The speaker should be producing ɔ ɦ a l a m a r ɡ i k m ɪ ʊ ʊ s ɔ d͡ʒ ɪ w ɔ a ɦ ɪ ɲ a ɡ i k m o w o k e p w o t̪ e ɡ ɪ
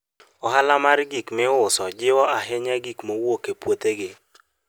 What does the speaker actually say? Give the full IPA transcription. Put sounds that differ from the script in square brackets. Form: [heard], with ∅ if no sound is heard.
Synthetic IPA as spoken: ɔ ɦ a l a m a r ɡ i k m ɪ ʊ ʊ s ɔ d͡ʒ ɪ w ɔ a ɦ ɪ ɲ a ɡ i k m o w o k e p w o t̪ e ɡ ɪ